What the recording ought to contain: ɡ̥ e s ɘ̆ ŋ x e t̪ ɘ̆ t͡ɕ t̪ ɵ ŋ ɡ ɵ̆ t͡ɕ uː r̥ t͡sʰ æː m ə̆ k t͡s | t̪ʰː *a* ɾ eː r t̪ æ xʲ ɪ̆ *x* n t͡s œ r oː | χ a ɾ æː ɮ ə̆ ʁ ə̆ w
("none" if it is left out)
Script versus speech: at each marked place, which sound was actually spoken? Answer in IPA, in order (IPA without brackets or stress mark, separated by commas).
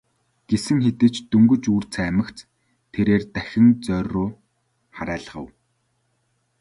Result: e, none